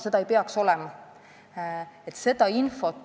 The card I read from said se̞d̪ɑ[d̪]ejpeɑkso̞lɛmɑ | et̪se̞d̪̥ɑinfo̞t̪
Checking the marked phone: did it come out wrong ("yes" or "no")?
yes